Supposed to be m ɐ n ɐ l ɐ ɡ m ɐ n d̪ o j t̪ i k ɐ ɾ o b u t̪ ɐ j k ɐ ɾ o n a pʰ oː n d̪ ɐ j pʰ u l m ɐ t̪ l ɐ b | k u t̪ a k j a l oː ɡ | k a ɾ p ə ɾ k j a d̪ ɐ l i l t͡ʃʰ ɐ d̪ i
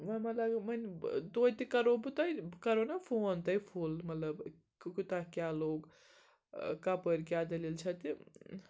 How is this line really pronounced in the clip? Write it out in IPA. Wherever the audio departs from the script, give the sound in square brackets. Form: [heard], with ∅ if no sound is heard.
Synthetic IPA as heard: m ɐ [m] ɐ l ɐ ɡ m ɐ n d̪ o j t̪ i k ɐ ɾ o b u t̪ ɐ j k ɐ ɾ o n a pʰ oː n [t̪] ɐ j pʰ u l m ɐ t̪ l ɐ b | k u t̪ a k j a l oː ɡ | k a [∅] p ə ɾ k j a d̪ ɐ l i l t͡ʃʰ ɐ [t̪] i